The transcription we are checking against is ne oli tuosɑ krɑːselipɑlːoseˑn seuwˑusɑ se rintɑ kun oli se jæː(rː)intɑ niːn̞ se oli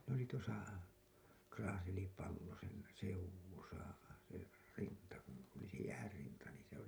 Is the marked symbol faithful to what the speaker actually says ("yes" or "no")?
yes